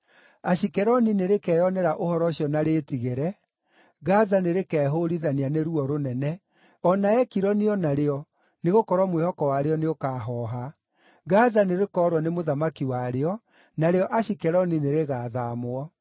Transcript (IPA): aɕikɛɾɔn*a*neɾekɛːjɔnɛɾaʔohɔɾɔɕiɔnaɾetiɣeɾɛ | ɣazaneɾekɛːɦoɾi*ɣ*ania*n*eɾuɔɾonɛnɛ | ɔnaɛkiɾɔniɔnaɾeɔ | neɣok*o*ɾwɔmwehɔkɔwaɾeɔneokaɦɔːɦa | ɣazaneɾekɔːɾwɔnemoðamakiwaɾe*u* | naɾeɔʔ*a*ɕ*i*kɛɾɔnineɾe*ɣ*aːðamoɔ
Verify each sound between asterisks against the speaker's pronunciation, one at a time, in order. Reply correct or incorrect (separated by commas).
incorrect, incorrect, correct, incorrect, incorrect, correct, correct, correct